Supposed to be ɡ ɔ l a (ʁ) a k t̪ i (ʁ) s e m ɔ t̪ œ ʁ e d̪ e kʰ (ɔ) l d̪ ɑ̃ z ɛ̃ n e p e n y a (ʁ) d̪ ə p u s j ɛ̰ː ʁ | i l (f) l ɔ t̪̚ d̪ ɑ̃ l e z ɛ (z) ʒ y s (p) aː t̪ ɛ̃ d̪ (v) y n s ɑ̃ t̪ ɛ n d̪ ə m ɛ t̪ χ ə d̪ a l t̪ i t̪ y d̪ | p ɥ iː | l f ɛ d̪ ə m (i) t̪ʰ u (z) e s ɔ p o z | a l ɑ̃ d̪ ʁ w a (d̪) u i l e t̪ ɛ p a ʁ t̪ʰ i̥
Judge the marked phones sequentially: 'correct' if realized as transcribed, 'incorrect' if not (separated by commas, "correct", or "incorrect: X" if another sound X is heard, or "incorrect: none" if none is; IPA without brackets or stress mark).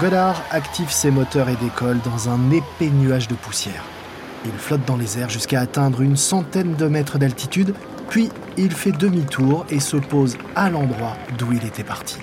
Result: correct, incorrect: v, correct, incorrect: ʒ, correct, incorrect: ʁ, incorrect: k, incorrect: ʁ, correct, incorrect: ʁ, correct